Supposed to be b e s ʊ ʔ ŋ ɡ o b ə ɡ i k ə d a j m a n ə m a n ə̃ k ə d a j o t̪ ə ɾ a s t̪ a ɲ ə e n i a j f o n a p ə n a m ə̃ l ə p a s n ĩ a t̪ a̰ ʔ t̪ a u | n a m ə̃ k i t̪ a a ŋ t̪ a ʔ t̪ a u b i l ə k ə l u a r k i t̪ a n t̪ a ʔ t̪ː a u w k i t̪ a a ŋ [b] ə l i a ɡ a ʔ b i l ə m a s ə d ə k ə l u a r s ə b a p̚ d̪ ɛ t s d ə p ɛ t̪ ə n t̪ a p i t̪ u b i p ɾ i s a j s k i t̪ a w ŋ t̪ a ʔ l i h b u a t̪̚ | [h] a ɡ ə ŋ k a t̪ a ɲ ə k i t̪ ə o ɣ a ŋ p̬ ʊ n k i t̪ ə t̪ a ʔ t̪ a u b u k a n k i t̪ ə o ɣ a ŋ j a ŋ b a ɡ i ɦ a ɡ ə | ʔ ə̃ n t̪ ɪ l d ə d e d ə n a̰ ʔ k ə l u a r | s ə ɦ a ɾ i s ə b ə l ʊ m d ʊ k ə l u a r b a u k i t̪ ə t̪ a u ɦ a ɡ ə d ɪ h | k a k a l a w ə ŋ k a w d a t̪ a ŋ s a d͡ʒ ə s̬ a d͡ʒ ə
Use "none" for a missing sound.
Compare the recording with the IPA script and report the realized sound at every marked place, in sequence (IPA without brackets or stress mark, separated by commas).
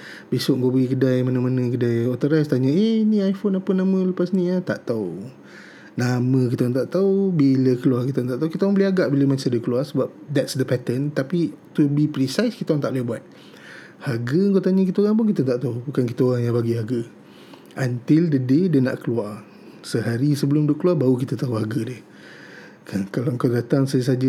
b, h